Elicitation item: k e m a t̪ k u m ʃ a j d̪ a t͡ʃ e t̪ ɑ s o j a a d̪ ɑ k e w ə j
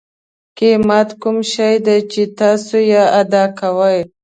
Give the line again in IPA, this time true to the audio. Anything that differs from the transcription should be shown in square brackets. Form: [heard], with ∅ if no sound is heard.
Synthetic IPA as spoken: k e m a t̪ k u m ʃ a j d̪ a t͡ʃ e t̪ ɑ s o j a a d̪ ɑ k [a] w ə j